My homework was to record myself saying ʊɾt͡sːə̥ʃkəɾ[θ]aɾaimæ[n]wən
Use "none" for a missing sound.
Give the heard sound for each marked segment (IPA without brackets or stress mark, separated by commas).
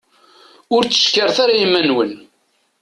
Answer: θ, n